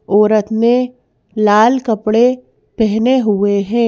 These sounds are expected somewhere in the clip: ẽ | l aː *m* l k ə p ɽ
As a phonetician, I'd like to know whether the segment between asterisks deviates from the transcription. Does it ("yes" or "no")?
yes